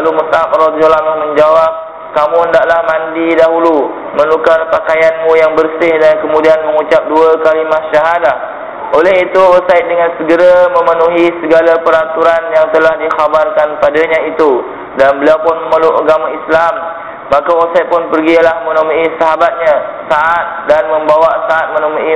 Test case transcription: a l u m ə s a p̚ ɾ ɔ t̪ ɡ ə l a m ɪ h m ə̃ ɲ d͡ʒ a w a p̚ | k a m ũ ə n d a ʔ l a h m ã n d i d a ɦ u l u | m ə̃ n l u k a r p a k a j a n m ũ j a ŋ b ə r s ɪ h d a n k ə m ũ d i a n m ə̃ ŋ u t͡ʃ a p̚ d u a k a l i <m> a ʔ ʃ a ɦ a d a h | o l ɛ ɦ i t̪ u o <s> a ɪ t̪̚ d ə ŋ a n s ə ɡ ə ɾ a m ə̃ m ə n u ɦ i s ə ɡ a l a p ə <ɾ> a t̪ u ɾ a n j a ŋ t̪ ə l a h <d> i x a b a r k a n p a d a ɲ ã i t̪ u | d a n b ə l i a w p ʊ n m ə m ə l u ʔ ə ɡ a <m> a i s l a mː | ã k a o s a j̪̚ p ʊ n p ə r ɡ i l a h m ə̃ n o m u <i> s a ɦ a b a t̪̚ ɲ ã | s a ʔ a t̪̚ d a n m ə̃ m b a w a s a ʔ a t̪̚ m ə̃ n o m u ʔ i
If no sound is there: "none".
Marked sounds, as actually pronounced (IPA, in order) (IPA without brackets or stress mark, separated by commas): m, s, ɾ, d, m, i